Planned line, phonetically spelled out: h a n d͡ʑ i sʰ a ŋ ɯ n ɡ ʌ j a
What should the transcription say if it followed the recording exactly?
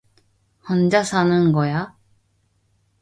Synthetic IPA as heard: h ʌ n d͡ʑ a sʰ a n ɯ n ɡ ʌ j a